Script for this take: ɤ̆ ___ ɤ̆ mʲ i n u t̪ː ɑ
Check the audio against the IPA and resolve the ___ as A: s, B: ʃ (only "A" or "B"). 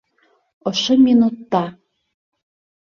B